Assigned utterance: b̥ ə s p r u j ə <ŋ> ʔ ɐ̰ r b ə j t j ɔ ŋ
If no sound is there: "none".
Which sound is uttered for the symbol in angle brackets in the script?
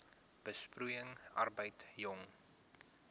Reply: ŋ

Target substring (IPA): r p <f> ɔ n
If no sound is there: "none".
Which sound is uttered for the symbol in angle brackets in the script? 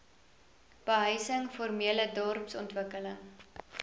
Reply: s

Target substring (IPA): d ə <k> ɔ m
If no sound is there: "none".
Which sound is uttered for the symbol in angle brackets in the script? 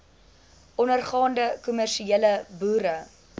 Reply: k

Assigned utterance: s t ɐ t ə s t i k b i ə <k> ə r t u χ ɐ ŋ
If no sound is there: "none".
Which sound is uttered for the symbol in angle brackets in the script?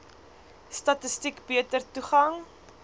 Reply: t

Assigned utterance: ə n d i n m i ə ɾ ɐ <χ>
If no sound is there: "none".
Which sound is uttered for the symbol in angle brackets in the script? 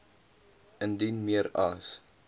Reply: s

